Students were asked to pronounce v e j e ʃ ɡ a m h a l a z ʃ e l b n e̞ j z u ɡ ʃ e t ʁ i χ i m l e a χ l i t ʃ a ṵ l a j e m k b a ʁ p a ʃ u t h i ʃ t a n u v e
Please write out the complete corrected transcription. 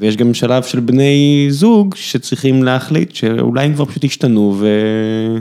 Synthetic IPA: v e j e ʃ ɡ a m ʃ a l a v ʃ e l b n e̞ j z u ɡ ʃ e t͡s ʁ i χ i m l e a χ l i t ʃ e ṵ l a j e m k v a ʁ p a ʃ u t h i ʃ t a n u v e